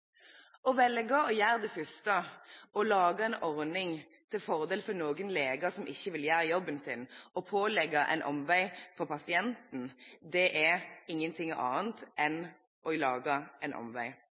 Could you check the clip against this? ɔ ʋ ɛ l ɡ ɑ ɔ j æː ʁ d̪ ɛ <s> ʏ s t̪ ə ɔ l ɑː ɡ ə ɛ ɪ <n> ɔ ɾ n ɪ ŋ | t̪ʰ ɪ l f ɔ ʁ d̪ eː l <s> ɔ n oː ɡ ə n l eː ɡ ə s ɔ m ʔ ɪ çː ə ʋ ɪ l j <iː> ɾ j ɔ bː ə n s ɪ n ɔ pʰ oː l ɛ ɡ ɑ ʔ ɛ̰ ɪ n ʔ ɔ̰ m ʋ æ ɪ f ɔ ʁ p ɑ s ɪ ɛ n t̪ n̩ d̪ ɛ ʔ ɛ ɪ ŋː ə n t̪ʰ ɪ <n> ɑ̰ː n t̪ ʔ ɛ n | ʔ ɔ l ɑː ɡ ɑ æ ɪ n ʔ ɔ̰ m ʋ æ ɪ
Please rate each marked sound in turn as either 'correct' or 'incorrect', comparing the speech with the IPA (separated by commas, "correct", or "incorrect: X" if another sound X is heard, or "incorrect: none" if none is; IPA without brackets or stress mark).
incorrect: f, correct, incorrect: f, incorrect: æː, incorrect: ŋ